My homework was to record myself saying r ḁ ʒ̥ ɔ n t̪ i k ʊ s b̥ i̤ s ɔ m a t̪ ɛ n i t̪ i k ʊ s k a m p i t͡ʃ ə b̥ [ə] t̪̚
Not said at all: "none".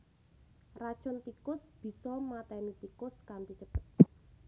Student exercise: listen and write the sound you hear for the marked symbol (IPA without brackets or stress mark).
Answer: ə